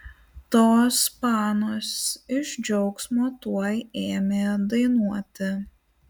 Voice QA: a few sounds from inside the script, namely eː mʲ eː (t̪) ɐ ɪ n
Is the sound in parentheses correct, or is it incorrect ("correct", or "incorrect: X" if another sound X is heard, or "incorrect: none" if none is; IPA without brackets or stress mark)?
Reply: incorrect: d̪